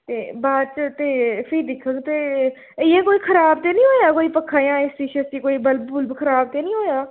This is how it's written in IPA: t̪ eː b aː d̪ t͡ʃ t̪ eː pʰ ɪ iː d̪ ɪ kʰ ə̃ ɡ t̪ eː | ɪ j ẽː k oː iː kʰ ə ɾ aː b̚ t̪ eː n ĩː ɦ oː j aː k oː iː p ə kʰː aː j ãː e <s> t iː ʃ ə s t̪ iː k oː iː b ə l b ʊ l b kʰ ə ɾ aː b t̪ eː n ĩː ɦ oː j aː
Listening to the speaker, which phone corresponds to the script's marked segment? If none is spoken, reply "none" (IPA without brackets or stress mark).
s